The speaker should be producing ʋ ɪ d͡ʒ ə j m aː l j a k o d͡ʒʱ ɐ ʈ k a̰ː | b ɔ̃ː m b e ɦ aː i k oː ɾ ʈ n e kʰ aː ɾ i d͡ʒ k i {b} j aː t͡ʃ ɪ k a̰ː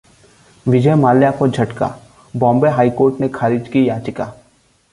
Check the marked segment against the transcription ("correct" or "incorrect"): incorrect